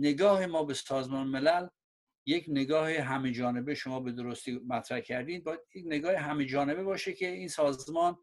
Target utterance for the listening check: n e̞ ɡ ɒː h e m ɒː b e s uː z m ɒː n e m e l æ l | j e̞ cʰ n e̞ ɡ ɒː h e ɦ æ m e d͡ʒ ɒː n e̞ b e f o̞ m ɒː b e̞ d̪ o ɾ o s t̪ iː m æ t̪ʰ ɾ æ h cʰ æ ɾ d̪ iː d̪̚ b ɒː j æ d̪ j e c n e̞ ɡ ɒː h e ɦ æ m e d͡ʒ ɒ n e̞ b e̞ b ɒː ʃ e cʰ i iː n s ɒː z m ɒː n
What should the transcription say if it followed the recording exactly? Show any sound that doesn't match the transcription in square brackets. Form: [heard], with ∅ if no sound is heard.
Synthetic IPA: n e̞ ɡ ɒː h e m ɒː b e s [ɒː] z m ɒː n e m e l æ l | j e̞ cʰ n e̞ ɡ ɒː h e ɦ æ m e d͡ʒ ɒː n e̞ b e [ʃ] o̞ m ɒː b e̞ d̪ o ɾ o s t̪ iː m æ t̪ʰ ɾ æ h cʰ æ ɾ d̪ iː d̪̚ b ɒː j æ d̪ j e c n e̞ ɡ ɒː h e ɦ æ m e d͡ʒ [ɒː] n e̞ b e̞ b ɒː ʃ e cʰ [e] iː n s ɒː z m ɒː n